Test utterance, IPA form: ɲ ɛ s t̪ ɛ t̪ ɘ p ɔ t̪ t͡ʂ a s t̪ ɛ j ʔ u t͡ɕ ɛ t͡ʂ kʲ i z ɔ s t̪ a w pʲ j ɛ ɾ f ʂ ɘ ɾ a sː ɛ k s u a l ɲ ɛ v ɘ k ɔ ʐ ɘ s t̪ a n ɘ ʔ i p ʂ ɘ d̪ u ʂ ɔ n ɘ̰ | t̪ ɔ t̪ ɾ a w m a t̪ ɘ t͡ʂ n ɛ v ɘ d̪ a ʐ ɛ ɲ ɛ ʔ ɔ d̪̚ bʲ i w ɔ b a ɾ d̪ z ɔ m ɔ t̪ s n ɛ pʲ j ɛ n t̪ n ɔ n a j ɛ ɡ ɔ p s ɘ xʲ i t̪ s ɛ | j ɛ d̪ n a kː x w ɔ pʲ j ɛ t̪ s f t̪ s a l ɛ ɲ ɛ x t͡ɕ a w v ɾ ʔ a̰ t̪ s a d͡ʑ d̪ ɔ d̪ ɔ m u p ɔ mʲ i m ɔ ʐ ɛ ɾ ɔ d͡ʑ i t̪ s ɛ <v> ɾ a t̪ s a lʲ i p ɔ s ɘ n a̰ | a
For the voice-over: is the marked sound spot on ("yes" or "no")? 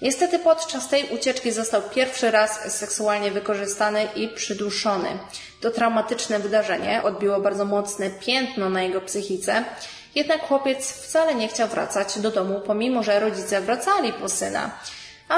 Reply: yes